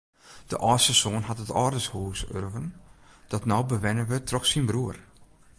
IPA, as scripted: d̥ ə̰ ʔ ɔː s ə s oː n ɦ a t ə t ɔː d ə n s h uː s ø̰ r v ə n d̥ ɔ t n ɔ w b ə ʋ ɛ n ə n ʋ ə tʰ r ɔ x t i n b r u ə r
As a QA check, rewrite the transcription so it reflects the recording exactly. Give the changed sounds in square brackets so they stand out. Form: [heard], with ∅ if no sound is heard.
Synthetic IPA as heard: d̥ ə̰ ʔ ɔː s ə s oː n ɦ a t ə t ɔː d ə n s h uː s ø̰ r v ə n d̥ ɔ t n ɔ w b ə ʋ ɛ n ə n ʋ ə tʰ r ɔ x [s] i n b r u ə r